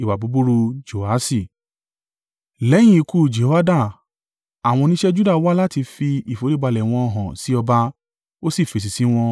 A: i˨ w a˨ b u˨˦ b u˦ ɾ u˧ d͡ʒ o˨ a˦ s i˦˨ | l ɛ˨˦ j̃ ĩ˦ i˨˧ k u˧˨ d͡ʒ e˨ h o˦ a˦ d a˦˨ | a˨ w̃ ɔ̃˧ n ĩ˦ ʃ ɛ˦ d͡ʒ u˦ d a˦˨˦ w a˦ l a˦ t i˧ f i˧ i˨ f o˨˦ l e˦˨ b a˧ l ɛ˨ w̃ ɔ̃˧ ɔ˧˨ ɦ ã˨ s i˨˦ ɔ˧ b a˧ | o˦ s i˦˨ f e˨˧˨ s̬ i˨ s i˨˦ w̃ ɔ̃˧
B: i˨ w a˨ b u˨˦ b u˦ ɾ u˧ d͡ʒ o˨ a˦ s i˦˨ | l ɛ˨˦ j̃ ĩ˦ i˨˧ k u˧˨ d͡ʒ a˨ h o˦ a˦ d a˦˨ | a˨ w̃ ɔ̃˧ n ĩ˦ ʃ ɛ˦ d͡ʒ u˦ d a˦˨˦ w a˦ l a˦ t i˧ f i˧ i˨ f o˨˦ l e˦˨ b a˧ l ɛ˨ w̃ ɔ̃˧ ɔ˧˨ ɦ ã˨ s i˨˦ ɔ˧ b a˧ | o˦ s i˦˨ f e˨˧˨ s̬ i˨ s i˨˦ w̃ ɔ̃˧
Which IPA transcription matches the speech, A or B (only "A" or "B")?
A